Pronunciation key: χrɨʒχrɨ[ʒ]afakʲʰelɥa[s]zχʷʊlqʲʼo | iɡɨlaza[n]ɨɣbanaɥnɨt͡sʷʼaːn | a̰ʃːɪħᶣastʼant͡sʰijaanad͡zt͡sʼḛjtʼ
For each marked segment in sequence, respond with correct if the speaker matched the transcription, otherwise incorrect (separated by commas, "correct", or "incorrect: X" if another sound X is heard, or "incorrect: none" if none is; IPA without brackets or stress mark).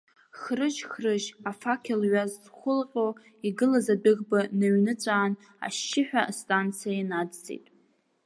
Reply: correct, incorrect: z, incorrect: d